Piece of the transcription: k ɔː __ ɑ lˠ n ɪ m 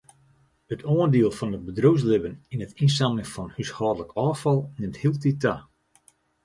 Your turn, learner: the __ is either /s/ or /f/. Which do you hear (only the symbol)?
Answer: f